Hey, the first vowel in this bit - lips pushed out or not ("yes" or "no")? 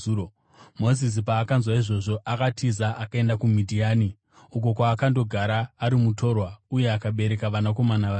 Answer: yes